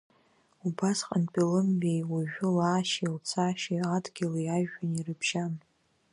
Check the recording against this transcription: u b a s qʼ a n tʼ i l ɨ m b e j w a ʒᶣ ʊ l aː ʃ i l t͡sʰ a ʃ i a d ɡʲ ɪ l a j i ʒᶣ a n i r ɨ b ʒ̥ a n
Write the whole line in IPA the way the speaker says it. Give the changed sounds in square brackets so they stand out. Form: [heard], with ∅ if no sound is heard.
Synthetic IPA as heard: u b a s qʼ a n [pʼ] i l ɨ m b e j w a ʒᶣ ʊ l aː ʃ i l t͡sʰ a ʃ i a d ɡʲ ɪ l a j [a] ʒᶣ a n i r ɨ b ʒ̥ a n